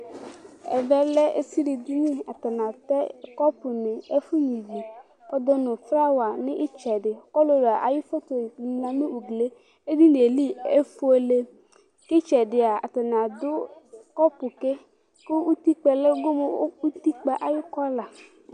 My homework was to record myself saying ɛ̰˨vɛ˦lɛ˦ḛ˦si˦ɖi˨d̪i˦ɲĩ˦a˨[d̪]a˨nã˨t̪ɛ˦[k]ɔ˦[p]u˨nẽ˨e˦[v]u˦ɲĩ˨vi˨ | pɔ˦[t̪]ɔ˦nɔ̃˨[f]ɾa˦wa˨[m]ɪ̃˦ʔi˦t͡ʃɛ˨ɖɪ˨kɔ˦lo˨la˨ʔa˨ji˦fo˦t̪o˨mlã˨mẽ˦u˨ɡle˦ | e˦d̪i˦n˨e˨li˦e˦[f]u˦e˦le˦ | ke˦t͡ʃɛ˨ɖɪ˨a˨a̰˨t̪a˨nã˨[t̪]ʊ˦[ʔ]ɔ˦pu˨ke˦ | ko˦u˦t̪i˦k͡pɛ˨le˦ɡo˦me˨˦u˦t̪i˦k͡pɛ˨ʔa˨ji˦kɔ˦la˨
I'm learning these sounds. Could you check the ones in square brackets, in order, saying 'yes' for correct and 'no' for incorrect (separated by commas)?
no, yes, yes, no, no, yes, no, yes, no, no